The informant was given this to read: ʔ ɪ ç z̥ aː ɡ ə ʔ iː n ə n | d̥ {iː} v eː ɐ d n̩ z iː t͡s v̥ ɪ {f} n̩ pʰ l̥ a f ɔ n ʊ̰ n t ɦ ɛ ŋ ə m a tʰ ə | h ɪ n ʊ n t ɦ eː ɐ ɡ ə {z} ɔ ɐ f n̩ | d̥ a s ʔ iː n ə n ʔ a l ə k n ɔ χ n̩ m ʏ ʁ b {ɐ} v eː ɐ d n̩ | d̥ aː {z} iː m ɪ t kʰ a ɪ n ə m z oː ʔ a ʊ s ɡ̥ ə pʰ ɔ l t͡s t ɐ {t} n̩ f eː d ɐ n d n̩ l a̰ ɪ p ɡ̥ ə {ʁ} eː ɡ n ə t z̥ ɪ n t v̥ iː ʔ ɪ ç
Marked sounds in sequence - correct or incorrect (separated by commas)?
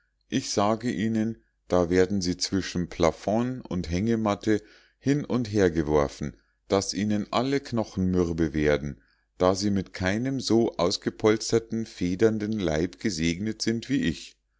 incorrect, incorrect, incorrect, incorrect, correct, correct, incorrect